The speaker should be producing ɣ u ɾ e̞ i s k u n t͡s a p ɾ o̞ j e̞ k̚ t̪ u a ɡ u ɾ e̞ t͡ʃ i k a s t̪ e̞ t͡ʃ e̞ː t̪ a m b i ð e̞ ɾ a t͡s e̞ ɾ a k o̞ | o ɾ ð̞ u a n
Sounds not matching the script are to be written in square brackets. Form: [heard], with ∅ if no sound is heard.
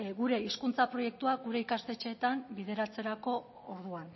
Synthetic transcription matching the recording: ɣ u ɾ e̞ i s k u n t͡s a p ɾ o̞ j e̞ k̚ t̪ u a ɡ u ɾ e̞ [∅] i k a s t̪ e̞ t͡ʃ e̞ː t̪ a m b i ð e̞ ɾ a t͡s e̞ ɾ a k o̞ | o ɾ ð̞ u a n